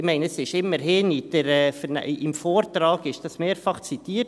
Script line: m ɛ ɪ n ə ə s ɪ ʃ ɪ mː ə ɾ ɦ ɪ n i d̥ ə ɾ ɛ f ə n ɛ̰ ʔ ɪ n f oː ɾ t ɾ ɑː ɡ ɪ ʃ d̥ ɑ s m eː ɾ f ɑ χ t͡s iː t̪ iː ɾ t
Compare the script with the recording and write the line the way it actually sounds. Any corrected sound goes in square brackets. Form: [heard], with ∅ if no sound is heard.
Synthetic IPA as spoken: m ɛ ɪ n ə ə s ɪ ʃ ɪ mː ə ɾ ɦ ɪ n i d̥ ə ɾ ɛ f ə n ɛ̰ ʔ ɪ [m] f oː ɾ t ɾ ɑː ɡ ɪ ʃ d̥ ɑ s m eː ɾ f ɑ χ t͡s [i] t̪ iː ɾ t